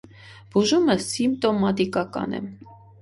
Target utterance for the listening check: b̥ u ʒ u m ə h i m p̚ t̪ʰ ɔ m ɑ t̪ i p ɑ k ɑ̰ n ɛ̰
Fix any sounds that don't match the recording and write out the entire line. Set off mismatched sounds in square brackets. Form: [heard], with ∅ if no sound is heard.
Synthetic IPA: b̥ u ʒ u m ə [s] i m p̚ [t̪] ɔ m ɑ t̪ i [k] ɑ k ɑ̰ n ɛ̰